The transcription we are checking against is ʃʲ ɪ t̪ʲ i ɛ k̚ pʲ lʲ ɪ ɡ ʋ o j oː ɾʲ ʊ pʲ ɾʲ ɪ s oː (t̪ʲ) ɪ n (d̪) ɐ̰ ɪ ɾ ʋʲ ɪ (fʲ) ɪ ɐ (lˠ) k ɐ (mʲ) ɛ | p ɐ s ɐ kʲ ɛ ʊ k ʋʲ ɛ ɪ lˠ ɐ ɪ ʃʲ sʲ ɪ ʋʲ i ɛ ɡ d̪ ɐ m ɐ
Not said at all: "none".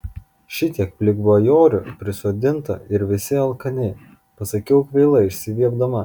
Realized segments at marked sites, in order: d̪ʲ, t̪, sʲ, lˠ, nʲ

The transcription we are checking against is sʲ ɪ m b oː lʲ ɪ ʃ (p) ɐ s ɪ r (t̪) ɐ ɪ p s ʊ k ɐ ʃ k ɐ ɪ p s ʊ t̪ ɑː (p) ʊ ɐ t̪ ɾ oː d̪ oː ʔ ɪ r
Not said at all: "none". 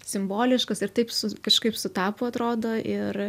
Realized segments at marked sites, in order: k, t̪, p

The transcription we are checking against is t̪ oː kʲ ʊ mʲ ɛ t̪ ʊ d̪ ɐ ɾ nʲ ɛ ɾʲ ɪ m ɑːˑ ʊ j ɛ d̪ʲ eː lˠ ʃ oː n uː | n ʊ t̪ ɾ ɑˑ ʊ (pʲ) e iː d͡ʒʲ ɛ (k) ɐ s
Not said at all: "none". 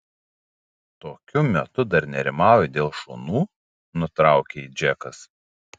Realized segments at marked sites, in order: kʲ, k

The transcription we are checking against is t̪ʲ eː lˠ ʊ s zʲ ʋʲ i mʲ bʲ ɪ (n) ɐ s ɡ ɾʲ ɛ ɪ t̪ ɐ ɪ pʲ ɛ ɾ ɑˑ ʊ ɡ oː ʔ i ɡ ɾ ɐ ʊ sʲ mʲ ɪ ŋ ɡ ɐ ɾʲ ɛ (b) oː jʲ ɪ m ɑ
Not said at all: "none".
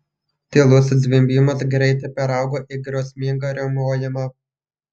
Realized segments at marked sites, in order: m, m

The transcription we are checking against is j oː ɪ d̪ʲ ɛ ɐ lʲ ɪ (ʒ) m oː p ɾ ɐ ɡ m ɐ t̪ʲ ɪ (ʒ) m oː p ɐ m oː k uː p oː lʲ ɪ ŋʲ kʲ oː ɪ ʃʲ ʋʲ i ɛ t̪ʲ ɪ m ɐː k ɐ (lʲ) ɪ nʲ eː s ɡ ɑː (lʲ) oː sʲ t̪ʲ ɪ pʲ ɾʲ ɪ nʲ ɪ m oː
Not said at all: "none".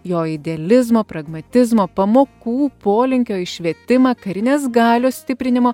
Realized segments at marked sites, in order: z, z, ɾʲ, lʲ

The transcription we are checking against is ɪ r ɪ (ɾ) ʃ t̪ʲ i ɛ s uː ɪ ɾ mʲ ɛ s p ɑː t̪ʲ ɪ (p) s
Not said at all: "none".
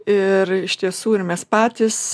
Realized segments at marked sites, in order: none, none

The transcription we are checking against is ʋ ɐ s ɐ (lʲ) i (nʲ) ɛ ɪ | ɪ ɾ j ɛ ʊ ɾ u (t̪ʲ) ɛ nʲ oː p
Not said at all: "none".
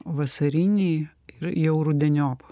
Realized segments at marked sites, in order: ɾʲ, nʲ, d̪ʲ

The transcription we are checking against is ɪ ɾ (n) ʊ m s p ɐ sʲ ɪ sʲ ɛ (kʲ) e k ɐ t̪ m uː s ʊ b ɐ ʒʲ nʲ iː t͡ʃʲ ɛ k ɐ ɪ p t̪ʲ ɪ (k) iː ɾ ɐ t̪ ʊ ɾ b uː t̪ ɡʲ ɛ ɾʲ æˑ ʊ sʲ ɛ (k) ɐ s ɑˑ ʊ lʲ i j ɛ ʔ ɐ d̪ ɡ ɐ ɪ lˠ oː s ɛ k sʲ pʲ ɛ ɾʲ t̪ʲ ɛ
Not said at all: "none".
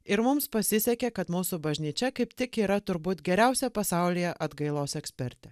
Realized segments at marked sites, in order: m, kʲ, k, p

